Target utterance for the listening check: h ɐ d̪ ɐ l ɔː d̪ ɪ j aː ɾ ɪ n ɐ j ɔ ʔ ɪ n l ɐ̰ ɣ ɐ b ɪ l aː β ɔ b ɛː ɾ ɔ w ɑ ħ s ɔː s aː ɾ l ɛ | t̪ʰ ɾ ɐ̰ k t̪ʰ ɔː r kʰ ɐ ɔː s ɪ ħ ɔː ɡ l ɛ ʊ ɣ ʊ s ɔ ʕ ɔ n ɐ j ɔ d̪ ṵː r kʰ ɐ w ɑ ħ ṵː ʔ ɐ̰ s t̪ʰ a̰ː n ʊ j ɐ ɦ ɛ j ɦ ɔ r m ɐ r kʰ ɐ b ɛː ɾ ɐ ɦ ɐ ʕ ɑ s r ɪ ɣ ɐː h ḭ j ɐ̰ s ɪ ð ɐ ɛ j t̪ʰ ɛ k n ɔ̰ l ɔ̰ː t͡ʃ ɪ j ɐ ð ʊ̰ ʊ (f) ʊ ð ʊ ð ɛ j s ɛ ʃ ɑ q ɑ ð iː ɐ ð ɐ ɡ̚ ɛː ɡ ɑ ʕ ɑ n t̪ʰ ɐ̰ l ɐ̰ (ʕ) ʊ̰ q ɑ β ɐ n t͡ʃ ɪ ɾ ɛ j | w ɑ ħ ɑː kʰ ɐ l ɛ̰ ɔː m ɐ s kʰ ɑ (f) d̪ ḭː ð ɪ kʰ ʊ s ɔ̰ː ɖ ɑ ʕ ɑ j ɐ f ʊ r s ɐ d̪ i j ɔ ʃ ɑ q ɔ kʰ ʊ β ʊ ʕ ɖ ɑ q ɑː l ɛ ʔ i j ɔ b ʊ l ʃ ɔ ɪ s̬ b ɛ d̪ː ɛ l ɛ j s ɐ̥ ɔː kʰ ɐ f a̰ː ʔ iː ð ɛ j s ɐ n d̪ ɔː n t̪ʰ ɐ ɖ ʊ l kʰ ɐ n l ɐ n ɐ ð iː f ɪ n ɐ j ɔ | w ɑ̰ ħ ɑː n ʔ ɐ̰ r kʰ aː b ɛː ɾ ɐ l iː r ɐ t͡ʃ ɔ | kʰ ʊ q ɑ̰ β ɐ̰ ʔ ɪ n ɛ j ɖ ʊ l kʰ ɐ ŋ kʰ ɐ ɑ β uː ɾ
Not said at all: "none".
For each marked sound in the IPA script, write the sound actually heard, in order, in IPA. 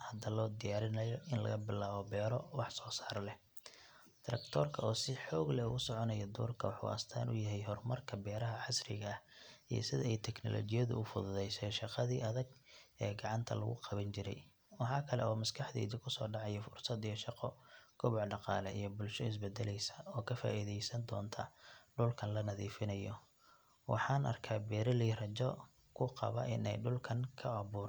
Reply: f, ɣ, ħ

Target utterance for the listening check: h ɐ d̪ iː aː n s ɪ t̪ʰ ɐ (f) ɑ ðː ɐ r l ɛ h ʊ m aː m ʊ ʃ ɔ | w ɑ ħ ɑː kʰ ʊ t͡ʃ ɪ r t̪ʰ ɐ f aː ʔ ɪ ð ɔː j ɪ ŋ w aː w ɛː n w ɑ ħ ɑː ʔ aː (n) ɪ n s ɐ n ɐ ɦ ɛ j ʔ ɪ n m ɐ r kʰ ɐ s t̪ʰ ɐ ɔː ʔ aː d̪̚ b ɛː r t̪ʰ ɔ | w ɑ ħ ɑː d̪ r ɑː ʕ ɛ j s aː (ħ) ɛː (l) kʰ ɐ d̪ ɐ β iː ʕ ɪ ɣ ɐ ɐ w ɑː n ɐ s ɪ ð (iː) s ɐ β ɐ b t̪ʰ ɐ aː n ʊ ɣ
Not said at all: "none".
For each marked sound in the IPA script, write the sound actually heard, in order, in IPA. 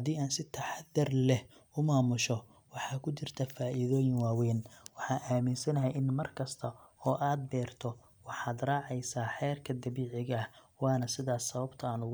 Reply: ħ, m, ħ, r, aː

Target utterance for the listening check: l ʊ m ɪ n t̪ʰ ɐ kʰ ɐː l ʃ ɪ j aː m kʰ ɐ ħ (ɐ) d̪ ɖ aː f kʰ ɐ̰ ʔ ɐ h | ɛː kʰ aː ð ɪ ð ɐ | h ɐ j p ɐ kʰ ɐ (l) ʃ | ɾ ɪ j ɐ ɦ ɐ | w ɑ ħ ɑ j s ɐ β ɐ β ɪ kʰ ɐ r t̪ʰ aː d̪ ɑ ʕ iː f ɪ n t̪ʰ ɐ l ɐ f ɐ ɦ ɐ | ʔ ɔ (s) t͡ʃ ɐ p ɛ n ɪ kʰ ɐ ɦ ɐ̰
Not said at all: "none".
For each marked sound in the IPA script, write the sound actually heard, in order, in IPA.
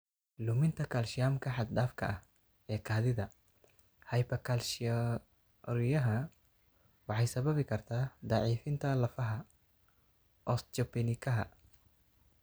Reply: ɑ, l, s

